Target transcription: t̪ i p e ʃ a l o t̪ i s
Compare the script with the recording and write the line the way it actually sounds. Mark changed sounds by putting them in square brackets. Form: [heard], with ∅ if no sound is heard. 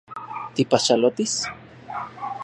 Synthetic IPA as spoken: t̪ i p [a] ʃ a l o t̪ i s